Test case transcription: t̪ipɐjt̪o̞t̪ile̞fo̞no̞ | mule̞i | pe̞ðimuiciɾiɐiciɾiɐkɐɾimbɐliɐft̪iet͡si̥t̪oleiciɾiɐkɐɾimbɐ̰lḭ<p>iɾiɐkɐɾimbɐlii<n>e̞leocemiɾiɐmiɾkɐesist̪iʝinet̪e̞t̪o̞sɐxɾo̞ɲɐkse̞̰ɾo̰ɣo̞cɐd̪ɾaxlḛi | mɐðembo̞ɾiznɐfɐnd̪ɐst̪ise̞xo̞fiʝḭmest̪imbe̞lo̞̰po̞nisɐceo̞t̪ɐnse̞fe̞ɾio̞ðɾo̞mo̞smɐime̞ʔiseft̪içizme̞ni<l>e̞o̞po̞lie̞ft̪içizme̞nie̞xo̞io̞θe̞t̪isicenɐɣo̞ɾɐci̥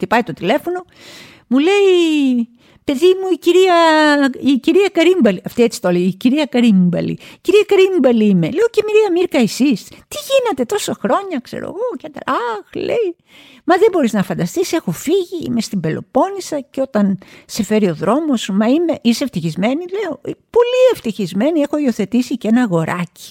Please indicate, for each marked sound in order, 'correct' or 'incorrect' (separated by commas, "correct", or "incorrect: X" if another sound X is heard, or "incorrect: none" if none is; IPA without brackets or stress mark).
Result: incorrect: c, incorrect: m, correct